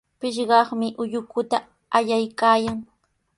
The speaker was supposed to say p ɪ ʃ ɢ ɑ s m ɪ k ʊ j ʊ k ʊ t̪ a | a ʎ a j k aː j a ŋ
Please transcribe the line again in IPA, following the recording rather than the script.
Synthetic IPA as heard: p ɪ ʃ ɢ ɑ χ m ɪ ʔ ʊ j ʊ k ʊ t̪ a | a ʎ a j k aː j a ŋ